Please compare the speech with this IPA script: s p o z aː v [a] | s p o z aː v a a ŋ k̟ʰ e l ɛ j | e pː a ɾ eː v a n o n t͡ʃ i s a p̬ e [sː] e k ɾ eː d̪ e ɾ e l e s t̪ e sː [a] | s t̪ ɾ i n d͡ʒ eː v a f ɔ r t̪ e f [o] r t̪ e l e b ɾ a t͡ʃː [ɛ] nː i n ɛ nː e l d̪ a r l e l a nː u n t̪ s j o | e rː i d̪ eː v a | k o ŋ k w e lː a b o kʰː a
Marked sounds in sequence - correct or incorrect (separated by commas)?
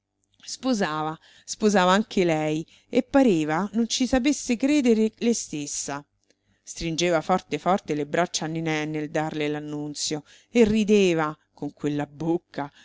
correct, correct, correct, incorrect, incorrect